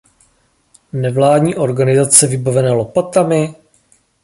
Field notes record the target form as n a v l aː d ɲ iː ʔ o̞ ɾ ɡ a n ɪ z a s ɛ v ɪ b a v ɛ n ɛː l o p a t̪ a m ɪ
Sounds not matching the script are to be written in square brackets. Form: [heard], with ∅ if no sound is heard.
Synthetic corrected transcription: n [ɛ] v l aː d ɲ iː ʔ o̞ ɾ ɡ a n ɪ z a [t͡s] ɛ v ɪ b a v ɛ n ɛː l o p a t̪ a m ɪ